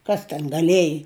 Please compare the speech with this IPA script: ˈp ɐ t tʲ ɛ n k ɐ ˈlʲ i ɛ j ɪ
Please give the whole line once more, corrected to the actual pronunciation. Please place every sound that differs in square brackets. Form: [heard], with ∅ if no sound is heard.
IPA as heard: [ˈk] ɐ [s] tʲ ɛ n [ɡ] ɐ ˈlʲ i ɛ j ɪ